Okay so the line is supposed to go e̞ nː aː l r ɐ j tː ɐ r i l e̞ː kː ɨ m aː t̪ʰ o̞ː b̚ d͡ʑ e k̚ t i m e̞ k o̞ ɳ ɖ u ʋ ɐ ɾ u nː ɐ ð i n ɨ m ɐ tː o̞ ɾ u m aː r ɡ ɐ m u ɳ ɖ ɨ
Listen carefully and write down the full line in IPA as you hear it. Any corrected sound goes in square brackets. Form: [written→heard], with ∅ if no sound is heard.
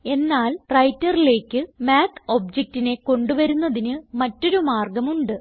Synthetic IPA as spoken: e̞ nː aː l r ɐ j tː ɐ r i l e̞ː kː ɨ m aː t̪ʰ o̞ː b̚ d͡ʑ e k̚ t i [m→n] e̞ k o̞ ɳ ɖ u ʋ ɐ ɾ u nː ɐ ð i n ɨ m ɐ tː o̞ ɾ u m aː r ɡ ɐ m u ɳ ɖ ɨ